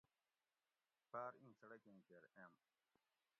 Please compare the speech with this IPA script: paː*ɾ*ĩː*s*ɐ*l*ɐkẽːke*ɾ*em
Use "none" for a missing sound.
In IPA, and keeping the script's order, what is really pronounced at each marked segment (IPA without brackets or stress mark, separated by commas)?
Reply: ɾ, s, ɽ, ɾ